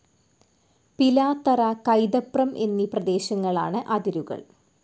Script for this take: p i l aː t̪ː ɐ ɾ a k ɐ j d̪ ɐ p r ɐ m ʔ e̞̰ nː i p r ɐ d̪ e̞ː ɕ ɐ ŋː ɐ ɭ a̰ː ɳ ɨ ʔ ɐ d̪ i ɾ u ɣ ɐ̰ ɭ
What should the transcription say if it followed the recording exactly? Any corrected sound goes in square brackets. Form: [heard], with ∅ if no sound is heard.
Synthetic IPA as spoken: p i l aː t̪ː ɐ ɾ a k ɐ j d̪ ɐ p r ɐ m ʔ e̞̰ nː i p r ɐ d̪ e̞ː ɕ ɐ ŋː ɐ ɭ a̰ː ɳ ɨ ʔ ɐ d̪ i ɾ u ɣ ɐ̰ ɭ